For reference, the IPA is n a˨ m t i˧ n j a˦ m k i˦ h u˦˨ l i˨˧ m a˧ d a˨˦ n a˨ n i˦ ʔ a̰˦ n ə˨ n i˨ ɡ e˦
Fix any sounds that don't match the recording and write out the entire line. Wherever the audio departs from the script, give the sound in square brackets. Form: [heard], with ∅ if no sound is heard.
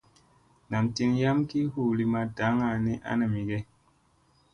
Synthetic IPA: n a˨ m t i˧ n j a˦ m k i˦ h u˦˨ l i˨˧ m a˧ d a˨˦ [ŋ] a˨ n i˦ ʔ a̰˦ n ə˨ [m] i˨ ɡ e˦